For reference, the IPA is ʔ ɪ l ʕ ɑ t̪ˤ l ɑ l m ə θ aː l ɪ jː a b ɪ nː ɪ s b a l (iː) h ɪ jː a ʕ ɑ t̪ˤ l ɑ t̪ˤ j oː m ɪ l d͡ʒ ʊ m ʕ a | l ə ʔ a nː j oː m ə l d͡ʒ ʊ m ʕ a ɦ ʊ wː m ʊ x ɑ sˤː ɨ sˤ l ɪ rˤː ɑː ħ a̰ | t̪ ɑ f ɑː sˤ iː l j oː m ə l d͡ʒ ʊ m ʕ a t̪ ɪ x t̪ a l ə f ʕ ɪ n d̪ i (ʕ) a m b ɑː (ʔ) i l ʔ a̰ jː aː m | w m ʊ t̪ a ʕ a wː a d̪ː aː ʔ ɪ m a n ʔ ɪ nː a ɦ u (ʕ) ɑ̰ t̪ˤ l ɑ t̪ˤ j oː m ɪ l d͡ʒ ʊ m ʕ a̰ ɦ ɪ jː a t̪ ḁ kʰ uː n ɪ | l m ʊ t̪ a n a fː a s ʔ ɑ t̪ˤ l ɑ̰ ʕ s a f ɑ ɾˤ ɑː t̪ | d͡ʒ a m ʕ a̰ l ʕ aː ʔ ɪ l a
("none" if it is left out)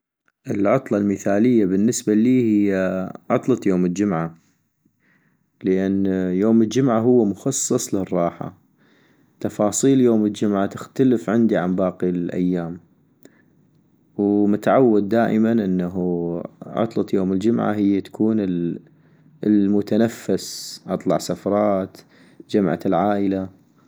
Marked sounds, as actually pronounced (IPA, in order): iː, ʕ, q, ʕ

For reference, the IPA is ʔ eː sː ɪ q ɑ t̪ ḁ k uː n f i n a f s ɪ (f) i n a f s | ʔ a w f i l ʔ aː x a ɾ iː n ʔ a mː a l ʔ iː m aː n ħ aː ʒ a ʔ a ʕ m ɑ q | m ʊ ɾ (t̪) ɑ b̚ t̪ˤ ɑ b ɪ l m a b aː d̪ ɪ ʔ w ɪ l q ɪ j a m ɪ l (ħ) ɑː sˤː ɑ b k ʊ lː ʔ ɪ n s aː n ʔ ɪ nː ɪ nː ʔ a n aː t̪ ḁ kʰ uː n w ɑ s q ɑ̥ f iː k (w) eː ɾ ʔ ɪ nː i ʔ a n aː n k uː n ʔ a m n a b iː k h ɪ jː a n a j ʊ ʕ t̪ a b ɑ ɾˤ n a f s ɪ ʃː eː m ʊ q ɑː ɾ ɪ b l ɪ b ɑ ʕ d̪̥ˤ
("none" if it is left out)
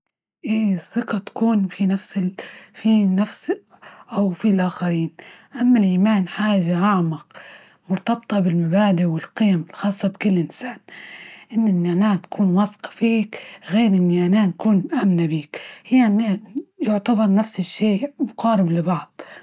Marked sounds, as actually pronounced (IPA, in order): f, t̪, x, ɣ

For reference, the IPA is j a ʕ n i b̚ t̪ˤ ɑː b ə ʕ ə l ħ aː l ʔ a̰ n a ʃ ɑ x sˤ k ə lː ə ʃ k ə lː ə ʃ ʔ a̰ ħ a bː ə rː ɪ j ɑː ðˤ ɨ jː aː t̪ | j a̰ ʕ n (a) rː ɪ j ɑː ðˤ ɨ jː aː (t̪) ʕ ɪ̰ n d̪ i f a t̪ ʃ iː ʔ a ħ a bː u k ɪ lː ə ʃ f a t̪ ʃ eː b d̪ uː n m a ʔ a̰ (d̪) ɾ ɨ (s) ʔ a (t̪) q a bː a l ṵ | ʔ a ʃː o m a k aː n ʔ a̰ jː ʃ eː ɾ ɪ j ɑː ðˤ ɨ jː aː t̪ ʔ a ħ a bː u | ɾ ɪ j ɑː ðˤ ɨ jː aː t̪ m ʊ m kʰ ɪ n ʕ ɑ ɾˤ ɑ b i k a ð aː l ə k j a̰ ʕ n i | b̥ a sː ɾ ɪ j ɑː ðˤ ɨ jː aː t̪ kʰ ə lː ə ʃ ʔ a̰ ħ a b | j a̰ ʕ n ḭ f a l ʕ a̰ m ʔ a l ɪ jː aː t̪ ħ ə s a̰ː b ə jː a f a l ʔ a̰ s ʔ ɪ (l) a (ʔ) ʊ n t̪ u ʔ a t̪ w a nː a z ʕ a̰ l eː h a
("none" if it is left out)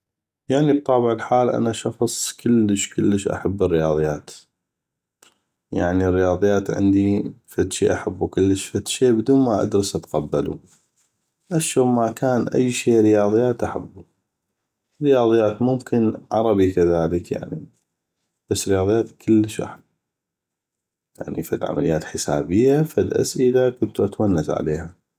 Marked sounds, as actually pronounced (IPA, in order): i, t̪, d̪, s, t̪, l, k

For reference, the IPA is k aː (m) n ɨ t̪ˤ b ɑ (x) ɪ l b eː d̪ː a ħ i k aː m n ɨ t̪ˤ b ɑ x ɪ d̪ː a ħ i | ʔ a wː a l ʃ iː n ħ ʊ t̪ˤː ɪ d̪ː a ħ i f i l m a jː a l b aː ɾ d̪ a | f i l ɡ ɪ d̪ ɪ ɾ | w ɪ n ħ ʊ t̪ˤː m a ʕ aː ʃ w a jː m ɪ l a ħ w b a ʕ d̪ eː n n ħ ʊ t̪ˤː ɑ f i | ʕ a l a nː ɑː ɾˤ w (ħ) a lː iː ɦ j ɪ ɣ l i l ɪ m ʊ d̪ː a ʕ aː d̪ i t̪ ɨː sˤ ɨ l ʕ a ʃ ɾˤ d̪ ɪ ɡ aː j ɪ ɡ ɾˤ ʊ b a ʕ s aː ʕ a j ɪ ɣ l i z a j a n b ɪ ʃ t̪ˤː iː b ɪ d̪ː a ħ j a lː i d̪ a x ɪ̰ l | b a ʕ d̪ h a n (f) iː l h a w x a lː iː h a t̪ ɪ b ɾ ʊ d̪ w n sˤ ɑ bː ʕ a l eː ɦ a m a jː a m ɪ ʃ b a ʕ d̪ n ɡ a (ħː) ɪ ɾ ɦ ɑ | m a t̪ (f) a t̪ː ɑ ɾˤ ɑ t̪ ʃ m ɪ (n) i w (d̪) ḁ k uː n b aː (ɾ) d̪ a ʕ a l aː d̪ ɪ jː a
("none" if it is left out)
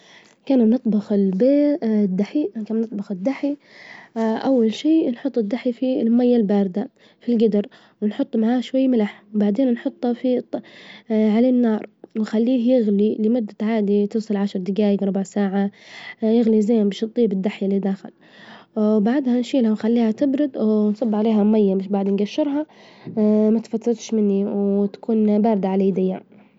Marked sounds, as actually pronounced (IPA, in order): n, x, x, ʃ, ʃː, f, nː, t̪, ɾ

